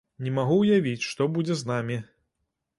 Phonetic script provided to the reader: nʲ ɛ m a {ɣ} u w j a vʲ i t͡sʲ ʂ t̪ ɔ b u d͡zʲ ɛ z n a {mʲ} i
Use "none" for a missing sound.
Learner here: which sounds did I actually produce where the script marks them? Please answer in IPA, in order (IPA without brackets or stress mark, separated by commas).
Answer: ɣ, mʲ